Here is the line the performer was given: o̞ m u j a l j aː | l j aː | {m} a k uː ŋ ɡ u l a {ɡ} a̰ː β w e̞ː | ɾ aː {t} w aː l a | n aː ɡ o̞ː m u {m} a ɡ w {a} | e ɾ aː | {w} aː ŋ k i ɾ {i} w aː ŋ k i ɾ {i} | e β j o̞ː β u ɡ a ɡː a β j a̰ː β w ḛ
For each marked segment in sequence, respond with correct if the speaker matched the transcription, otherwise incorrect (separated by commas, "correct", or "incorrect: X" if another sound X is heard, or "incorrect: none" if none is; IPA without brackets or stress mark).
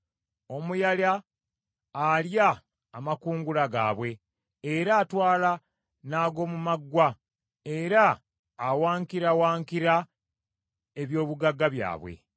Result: correct, correct, correct, correct, correct, correct, incorrect: a, incorrect: a